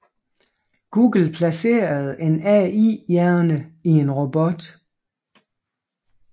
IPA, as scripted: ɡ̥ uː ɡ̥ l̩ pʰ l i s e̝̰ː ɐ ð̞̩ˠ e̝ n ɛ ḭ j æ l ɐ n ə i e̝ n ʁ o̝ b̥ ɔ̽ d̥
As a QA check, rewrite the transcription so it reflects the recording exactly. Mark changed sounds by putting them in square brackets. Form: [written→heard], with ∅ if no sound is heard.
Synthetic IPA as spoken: ɡ̥ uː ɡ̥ l̩ pʰ l [i→æ] s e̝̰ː ɐ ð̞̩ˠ e̝ n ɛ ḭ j æ [l→∅] ɐ n ə i e̝ n ʁ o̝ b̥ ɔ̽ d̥